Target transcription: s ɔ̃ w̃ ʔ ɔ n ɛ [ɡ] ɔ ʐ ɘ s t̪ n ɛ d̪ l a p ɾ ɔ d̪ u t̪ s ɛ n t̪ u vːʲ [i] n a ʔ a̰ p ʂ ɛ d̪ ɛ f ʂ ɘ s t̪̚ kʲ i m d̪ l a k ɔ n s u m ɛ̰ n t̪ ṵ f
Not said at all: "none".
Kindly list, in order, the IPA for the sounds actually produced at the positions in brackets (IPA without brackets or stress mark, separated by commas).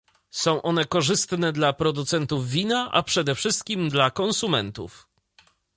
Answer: k, i